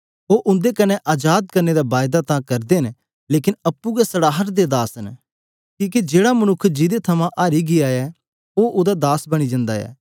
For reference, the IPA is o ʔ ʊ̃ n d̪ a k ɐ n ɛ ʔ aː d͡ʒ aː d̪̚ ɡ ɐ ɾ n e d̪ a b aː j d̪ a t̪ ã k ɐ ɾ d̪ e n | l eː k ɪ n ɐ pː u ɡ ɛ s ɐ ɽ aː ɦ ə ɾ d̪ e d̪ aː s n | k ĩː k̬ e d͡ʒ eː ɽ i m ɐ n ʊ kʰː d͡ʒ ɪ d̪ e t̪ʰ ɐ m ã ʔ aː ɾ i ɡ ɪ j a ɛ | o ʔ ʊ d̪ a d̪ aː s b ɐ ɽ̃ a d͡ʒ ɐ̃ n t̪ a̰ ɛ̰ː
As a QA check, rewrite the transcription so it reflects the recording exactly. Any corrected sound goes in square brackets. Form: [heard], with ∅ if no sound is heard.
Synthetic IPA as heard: o ʔ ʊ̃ n d̪ [e] k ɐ n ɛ ʔ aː d͡ʒ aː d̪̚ [k] ɐ ɾ n e d̪ a b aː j d̪ a t̪ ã k ɐ ɾ d̪ e n | l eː k ɪ n ɐ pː u ɡ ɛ s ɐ ɽ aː ɦ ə ɾ d̪ e d̪ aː s n | k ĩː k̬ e d͡ʒ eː ɽ [a] m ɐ n ʊ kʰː d͡ʒ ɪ d̪ e t̪ʰ ɐ m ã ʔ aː ɾ i ɡ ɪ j a ɛ | o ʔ ʊ d̪ a d̪ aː s b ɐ ɽ̃ [i] d͡ʒ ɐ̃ n [d̪] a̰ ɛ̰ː